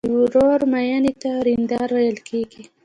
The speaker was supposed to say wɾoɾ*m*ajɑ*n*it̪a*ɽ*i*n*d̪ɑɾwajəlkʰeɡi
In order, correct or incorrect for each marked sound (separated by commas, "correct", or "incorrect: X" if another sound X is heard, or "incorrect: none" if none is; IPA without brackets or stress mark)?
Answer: correct, correct, incorrect: ɾ, correct